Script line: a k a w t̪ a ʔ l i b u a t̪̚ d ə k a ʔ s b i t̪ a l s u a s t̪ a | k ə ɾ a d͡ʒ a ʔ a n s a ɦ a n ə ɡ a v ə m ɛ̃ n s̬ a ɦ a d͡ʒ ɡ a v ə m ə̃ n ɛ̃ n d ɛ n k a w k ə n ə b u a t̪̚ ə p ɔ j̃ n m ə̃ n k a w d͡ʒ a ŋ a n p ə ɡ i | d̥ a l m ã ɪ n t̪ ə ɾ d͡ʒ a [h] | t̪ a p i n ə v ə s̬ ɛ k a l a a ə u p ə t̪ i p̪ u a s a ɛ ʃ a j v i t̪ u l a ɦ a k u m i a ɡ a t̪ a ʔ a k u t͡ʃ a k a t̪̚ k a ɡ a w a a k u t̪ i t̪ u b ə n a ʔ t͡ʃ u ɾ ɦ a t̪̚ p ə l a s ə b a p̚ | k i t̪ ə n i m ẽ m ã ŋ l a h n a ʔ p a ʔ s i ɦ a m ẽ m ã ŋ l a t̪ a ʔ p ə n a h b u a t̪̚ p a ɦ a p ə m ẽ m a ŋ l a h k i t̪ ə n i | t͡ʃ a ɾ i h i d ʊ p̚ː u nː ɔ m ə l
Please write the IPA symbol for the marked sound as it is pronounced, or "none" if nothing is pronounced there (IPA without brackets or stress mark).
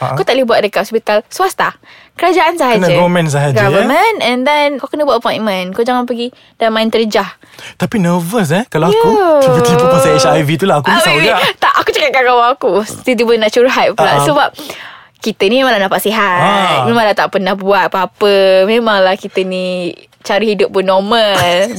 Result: h